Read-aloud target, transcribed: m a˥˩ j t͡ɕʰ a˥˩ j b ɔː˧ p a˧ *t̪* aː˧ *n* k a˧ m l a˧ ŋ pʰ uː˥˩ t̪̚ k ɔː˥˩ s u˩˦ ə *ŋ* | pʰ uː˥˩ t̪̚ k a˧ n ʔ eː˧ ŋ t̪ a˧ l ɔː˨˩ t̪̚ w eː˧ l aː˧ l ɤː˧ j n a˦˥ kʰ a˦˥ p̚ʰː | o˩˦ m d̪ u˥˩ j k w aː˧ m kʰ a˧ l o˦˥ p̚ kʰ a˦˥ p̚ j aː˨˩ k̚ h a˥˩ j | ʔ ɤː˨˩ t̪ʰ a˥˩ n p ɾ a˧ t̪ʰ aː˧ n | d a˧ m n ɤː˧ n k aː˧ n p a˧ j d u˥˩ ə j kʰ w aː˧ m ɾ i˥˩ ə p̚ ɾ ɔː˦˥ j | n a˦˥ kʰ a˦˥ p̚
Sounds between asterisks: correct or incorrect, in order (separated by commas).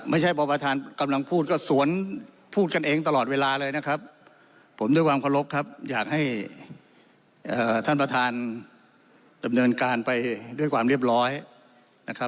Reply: incorrect, correct, incorrect